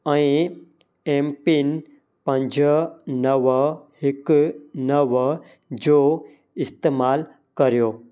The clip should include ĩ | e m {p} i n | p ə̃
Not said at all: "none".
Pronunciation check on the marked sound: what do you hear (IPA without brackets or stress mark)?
p